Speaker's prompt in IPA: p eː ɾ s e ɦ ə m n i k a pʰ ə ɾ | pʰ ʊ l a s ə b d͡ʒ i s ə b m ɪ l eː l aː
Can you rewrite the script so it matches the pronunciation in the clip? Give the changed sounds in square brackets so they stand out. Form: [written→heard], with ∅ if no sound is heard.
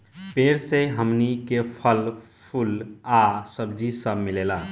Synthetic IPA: p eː ɾ s e ɦ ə m n i k [a→e] pʰ ə [ɾ→l] | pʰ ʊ l a s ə b d͡ʒ i s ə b m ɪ l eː l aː